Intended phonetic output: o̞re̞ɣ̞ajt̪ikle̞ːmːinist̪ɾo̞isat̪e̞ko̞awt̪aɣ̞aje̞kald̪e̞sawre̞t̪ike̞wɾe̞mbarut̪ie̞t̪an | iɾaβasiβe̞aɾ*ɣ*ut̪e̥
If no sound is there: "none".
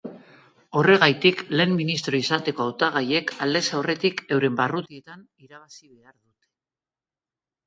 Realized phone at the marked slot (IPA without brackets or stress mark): ð